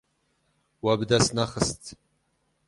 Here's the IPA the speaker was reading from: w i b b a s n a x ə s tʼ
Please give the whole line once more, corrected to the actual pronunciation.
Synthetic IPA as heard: w a b d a s n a χ ə s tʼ